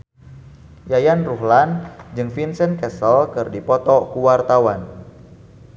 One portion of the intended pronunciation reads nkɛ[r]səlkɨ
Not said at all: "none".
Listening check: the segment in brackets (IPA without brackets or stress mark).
none